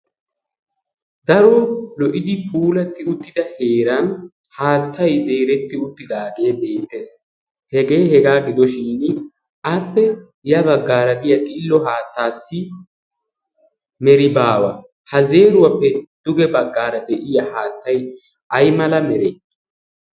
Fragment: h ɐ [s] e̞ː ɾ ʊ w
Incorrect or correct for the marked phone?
incorrect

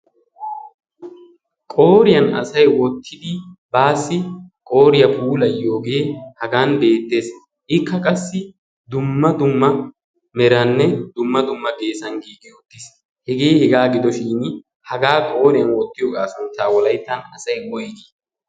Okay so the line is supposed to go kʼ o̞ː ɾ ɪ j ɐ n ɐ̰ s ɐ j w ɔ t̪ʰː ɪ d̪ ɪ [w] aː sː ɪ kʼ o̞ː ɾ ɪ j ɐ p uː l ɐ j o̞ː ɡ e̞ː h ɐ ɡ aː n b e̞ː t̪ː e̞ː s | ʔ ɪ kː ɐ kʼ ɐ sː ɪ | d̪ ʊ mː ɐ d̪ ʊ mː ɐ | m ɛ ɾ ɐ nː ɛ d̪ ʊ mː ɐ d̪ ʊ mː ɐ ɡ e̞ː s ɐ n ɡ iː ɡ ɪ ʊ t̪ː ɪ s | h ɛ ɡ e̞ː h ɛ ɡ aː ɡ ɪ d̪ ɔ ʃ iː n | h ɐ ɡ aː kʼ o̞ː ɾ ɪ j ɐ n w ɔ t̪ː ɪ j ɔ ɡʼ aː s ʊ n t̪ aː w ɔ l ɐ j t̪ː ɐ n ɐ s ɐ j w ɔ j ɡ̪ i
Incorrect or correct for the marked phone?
incorrect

